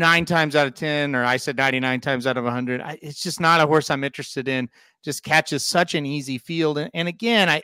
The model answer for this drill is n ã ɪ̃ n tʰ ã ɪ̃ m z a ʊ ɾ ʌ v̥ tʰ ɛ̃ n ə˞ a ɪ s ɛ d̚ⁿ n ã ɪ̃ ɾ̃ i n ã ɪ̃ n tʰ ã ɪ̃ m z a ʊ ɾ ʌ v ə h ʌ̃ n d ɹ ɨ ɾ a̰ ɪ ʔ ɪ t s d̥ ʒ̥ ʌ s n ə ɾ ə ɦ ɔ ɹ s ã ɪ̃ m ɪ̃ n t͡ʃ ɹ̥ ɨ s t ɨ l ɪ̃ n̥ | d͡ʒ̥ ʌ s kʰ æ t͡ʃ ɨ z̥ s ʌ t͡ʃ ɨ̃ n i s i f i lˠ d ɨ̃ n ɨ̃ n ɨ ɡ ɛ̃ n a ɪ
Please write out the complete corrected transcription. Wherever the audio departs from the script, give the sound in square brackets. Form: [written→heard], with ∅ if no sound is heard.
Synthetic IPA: n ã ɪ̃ n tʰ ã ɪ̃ m z a ʊ ɾ ʌ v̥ tʰ ɛ̃ n ə˞ a ɪ s ɛ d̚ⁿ n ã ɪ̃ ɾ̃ i n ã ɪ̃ n tʰ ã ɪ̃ m z a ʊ ɾ ʌ v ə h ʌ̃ n d ɹ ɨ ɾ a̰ ɪ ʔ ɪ t s d̥ ʒ̥ ʌ s n ə ɾ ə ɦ ɔ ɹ s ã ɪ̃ m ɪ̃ n t͡ʃ ɹ̥ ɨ s t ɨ [l→ɾ] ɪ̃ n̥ | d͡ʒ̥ ʌ s kʰ æ t͡ʃ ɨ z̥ s ʌ t͡ʃ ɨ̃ n i [s→z] i f i lˠ d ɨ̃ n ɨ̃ n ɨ ɡ ɛ̃ n a ɪ